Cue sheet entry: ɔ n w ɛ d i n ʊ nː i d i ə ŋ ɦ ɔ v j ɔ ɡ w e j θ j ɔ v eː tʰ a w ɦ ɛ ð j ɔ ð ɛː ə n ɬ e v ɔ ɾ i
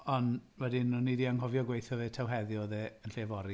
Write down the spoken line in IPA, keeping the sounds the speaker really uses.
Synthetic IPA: ɔ n w ɛ d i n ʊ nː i d i a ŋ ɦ ɔ v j ɔ ɡ w e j θ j ɔ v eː tʰ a w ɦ ɛ ð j ɔ ð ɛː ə n ɬ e v ɔ ɾ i